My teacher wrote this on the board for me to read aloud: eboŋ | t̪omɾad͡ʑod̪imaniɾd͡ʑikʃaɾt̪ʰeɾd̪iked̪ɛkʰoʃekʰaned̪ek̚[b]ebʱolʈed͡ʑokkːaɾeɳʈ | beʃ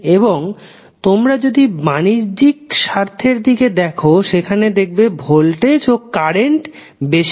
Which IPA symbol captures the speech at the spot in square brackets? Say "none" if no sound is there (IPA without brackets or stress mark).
b